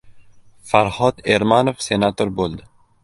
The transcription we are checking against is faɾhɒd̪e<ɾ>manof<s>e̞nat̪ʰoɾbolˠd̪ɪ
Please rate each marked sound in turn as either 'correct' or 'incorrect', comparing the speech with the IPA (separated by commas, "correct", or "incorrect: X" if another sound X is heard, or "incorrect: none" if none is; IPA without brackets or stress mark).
correct, correct